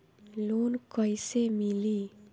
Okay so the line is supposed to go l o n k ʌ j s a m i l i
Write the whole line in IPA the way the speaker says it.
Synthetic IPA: l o n k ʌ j s e m i l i